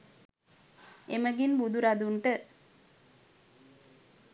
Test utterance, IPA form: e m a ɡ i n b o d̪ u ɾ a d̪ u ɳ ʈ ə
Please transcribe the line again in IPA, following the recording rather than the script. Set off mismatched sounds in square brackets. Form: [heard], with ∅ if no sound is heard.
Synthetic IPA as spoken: e m [ə] ɡ i n b [u] d̪ u ɾ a d̪ u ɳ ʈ ə